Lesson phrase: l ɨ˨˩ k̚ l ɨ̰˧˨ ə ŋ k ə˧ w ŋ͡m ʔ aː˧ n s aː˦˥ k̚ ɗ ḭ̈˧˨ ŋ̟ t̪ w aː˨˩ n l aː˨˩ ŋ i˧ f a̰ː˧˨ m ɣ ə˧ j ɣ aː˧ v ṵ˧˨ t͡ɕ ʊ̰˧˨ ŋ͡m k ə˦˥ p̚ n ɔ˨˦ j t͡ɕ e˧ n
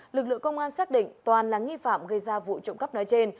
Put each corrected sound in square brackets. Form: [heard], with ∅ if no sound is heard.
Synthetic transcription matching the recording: l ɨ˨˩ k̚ l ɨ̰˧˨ ə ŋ k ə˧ w ŋ͡m ʔ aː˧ n s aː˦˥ k̚ ɗ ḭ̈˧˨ ŋ̟ t̪ w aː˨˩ n l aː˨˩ ŋ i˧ f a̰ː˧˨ m ɣ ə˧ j [z] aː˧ v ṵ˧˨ t͡ɕ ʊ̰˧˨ ŋ͡m k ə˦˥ p̚ n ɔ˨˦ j t͡ɕ e˧ n